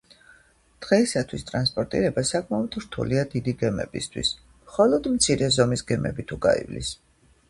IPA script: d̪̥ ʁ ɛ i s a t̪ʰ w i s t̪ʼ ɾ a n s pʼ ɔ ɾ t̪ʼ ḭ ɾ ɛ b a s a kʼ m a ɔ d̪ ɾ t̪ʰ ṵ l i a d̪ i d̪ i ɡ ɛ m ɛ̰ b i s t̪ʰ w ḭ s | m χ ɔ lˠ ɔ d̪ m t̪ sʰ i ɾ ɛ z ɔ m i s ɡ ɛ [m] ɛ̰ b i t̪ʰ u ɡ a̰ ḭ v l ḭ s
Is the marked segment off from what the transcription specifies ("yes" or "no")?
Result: no